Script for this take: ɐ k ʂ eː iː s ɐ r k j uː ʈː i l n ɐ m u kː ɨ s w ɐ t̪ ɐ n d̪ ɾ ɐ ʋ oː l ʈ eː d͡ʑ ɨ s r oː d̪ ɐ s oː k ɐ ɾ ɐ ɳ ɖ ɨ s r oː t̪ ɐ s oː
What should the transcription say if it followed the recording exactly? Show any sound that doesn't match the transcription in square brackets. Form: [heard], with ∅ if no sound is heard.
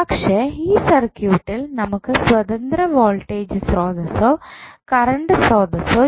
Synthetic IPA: ɐ k ʂ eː iː s ɐ r k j uː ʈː i l n ɐ m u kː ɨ s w ɐ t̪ ɐ n d̪ ɾ ɐ ʋ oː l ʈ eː d͡ʑ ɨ s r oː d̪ ɐ s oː k ɐ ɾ ɐ ɳ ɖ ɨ s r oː [d̪] ɐ s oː